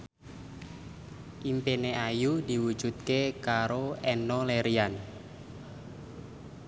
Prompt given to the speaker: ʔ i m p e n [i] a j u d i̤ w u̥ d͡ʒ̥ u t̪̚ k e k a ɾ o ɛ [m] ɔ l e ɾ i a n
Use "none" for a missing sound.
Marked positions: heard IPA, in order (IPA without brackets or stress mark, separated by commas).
e, n